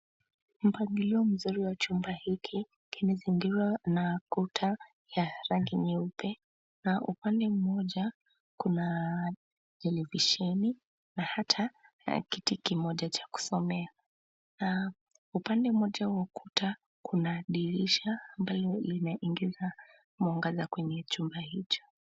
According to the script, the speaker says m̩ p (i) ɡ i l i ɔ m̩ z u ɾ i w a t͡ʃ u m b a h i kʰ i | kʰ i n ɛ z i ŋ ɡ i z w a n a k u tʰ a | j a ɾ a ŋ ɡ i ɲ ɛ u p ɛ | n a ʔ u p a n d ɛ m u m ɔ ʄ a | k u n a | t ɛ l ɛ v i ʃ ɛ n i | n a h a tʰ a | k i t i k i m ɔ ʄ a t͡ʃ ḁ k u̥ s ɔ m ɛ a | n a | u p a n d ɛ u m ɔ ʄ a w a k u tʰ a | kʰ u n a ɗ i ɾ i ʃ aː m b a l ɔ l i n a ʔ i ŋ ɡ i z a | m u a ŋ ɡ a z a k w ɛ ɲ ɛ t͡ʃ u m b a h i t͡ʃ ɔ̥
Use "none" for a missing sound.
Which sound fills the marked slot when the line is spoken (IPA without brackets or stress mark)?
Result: a